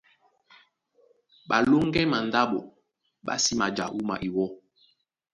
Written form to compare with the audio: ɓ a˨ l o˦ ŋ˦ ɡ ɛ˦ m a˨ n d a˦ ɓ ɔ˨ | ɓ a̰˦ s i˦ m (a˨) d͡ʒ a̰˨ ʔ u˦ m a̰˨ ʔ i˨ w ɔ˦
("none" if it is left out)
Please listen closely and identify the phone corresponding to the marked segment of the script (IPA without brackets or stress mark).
a˨